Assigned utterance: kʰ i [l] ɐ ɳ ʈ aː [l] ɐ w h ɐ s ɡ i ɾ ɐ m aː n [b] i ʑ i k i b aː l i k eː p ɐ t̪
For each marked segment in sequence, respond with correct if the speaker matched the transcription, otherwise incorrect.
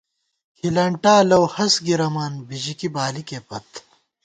correct, correct, correct

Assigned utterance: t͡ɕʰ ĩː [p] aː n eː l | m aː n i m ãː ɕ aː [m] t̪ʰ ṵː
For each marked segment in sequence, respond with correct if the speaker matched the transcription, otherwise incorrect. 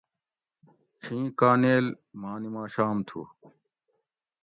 incorrect: k, correct

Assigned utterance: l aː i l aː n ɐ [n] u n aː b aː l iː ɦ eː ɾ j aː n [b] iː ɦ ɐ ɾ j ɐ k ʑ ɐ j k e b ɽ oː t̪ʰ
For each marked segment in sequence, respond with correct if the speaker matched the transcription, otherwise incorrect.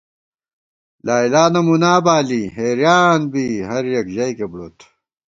incorrect: m, correct

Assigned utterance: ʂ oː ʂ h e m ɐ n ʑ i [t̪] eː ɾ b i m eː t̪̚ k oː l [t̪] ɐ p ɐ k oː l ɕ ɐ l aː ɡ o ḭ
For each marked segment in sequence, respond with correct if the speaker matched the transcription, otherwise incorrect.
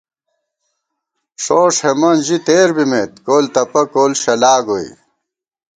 correct, correct

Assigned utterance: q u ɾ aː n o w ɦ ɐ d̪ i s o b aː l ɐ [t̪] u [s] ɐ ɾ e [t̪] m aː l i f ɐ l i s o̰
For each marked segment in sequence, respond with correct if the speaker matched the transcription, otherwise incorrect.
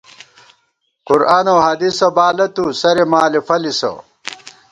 correct, correct, incorrect: none

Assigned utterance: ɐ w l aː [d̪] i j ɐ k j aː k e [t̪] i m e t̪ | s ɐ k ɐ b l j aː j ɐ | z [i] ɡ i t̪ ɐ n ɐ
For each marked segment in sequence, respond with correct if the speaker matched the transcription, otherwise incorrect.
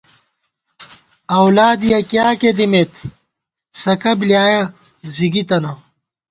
correct, incorrect: d̪, correct

